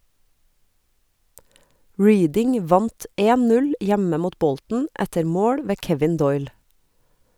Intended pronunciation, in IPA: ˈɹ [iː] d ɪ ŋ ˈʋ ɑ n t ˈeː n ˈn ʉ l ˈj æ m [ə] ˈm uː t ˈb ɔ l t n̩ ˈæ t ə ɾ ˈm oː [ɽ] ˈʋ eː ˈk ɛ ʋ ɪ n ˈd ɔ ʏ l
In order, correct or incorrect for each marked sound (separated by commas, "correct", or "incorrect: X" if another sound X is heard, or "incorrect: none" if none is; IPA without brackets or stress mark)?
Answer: correct, correct, correct